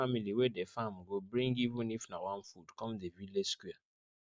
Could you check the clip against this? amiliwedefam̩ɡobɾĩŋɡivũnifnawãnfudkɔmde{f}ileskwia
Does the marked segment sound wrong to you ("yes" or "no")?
yes